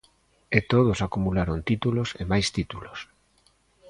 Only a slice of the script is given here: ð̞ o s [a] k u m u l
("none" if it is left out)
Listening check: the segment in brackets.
a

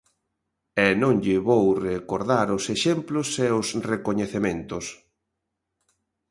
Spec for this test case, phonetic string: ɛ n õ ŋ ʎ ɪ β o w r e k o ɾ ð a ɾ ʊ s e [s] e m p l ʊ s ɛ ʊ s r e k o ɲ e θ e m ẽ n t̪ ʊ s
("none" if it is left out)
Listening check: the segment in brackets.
ʃ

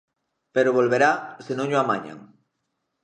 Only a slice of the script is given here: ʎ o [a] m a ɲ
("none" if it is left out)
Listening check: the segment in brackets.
a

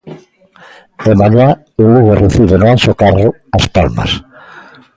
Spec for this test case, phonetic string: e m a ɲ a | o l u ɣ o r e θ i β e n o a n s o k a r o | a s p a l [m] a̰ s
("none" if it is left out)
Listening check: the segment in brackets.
m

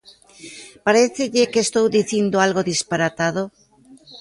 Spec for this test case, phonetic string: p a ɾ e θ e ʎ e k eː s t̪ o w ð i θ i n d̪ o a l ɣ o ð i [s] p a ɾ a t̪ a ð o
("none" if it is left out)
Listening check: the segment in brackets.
s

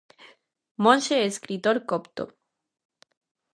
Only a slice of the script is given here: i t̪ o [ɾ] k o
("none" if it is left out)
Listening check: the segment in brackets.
ɾ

